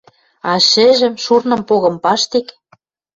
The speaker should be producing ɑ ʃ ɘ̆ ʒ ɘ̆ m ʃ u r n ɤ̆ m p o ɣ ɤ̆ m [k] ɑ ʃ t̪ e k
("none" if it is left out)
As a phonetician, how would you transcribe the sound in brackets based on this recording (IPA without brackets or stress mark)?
p